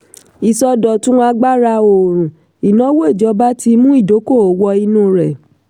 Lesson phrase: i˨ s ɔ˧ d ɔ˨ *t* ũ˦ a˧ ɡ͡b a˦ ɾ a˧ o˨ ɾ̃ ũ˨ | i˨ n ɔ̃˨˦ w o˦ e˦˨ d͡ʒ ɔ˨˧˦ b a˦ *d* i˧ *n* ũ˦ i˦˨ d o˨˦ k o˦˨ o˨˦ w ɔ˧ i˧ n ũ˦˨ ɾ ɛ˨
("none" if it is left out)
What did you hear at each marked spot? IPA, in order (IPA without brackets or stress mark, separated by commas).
t, t, m